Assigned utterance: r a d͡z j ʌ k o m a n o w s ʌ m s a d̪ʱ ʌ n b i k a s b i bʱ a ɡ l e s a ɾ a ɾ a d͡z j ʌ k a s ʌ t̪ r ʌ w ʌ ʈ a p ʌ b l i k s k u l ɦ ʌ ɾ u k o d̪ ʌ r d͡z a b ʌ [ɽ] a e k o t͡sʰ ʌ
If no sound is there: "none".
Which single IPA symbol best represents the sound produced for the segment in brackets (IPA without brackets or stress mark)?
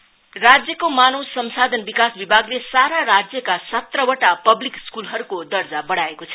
ɽ